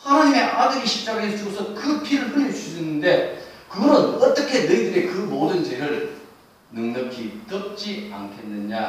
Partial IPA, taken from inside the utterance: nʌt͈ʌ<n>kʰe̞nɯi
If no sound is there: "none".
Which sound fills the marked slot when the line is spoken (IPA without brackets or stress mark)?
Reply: none